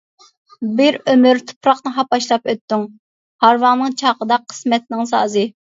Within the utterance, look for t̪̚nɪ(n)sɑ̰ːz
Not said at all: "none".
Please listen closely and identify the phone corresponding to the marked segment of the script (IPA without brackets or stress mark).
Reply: ŋ